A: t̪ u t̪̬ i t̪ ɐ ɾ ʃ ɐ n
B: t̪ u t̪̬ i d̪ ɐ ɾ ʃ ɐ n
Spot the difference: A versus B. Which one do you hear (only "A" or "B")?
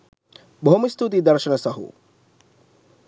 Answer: B